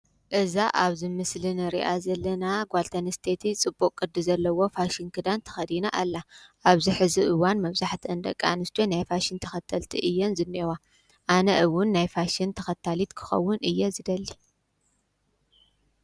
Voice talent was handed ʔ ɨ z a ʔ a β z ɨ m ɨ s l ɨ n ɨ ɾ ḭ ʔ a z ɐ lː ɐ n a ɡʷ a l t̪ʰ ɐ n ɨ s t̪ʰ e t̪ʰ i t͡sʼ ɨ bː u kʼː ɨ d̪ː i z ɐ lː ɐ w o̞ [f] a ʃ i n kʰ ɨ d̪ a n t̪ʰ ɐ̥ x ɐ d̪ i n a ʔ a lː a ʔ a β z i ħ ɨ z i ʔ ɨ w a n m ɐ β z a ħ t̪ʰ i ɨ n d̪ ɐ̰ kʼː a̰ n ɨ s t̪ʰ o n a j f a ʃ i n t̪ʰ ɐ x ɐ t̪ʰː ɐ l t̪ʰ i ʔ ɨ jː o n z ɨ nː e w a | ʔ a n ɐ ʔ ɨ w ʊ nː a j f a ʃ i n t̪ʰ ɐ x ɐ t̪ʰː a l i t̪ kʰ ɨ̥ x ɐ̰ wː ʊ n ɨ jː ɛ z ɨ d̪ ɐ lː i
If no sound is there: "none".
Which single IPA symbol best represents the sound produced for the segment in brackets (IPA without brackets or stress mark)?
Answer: f